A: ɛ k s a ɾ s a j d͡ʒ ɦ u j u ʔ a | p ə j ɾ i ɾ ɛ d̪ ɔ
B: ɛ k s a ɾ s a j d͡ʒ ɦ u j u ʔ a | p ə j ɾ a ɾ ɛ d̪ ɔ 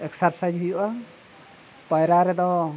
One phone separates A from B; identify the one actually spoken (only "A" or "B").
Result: B